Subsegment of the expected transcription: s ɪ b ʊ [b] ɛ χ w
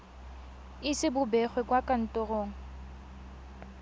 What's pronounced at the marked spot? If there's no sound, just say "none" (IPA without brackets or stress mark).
b